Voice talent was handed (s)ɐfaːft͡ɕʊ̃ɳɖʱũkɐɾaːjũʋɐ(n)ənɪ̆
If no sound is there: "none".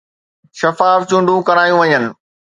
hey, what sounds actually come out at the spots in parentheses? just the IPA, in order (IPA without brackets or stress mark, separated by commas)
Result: ʃ, ɲ